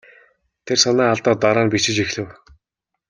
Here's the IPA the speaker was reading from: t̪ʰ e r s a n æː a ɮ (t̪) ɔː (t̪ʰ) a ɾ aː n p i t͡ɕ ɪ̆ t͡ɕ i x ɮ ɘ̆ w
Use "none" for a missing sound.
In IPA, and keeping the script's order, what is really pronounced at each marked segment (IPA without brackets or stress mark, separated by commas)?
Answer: t̪, t̪